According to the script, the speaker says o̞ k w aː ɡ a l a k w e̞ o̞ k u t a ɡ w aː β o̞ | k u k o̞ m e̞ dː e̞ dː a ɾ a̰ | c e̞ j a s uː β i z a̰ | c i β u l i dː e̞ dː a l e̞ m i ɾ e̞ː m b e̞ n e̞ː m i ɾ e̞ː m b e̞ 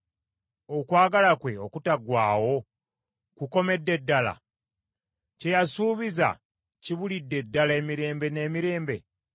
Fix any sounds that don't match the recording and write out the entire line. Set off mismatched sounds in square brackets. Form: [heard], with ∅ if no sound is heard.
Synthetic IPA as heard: o̞ k w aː ɡ a l a k w e̞ o̞ k u t a ɡ w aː [w] o̞ | k u k o̞ m e̞ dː e̞ dː a [l] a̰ | c e̞ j a s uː β i z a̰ | c i β u l i dː e̞ dː a l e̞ m i ɾ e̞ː m b e̞ n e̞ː m i ɾ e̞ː m b e̞